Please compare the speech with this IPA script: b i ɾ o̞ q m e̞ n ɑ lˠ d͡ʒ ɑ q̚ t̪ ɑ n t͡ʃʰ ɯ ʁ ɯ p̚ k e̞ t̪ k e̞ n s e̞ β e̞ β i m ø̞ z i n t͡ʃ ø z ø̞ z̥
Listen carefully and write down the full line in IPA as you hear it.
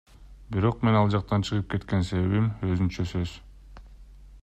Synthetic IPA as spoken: b i ɾ o̞ q m e̞ n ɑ lˠ d͡ʒ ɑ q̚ t̪ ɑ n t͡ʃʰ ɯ ʁ ɯ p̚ k e̞ t̪ k e̞ n s e̞ β e̞ β i m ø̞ z y n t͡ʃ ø s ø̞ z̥